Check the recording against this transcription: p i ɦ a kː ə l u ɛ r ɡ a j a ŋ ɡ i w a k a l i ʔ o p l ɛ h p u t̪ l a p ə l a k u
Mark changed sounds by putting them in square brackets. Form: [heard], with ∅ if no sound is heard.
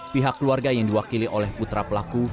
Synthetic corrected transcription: p i ɦ a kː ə l u [a] r ɡ a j a ŋ [d] i w a k [i] l i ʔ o [∅] l ɛ h p u t̪ [ɾ] a p ə l a k u